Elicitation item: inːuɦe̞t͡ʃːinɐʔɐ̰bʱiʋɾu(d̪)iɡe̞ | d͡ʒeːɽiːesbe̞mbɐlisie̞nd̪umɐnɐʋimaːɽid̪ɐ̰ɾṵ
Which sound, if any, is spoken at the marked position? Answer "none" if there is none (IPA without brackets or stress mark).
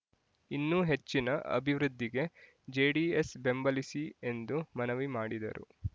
d̪ː